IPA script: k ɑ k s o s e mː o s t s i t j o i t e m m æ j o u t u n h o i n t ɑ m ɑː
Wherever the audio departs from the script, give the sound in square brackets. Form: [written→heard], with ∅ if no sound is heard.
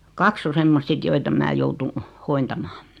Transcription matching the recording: k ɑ k s o s e mː o s t s i t j o i t e m m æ j o u t u n h o i n t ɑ m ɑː

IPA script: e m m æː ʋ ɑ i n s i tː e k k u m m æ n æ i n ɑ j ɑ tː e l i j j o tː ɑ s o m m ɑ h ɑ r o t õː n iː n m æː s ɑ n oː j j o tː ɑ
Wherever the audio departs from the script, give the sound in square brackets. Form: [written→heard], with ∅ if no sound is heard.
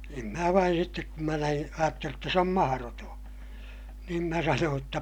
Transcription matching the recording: e m m æː ʋ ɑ i n s i tː e k k u m m æ n æ i n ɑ j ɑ tː e l i j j o tː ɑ s o m m ɑ h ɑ r o t õː n iː n m [æː→æ] s ɑ n oː j j o tː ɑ

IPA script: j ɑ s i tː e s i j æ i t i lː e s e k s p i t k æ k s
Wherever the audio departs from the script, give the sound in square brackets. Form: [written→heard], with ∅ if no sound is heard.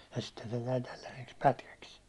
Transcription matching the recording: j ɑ s i tː e s [i→e] j æ i t [i→æ] lː [e→æ] s e k s p [i→æ] t k æ k s

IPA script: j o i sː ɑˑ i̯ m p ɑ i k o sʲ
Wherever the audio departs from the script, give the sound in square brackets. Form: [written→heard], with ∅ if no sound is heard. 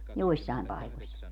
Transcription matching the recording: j o i sː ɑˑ i̯ m p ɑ i k o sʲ

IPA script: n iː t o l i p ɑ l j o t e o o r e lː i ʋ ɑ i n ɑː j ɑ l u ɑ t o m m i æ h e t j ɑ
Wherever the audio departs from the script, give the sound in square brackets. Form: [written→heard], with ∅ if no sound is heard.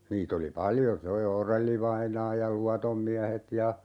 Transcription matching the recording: n iː t o l i p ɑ l j o [t→s] e o o r e lː i ʋ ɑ i n ɑː j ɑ l u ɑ t o m m i æ h e t j ɑ

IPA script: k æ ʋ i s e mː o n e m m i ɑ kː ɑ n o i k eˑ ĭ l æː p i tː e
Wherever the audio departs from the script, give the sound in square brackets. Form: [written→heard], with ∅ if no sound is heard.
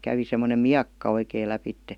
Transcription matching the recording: k æ ʋ i s e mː o n e m m i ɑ kː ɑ [n→∅] o i k eˑ ĭ l [æː→æ] p i tː e

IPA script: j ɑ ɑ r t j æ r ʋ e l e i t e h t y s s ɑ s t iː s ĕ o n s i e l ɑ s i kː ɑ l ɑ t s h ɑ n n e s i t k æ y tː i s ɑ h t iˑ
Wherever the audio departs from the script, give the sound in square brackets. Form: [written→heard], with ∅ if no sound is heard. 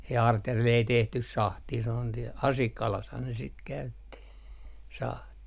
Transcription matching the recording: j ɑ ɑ r t j æ r ʋ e l e i t e h t y s s ɑ [s→h] t iː s ĕ o n s i e l ɑ s i kː ɑ l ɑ [t→∅] s h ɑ n n e s i t k æ y tː i s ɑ h t iˑ

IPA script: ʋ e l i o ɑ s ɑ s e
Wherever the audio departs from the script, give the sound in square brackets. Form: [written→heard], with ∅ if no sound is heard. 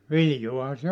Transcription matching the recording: ʋ [e→i] l [i→j] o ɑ [s→h] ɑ s e

